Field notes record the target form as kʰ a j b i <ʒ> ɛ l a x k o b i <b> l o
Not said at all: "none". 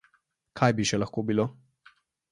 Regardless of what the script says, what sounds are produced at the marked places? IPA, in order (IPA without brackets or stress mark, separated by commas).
ʃ, none